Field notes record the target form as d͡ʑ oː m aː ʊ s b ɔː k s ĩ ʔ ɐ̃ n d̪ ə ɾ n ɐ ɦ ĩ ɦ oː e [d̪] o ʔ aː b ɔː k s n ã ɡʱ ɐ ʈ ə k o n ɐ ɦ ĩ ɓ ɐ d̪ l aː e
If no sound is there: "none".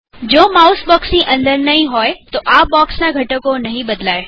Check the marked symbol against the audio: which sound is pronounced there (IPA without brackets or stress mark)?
t̪